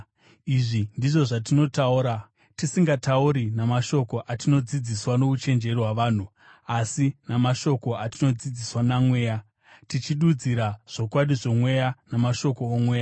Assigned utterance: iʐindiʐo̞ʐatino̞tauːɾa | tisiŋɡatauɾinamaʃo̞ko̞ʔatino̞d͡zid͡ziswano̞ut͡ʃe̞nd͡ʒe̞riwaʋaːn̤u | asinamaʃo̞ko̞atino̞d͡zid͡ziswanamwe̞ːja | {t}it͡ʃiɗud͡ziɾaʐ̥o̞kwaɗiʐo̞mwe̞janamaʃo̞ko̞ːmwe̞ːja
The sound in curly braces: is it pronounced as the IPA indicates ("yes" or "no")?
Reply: yes